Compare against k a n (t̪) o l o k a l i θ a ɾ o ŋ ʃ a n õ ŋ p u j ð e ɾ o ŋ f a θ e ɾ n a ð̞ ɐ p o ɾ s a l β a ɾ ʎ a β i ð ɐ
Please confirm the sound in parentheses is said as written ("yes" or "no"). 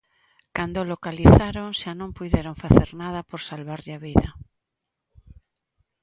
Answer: no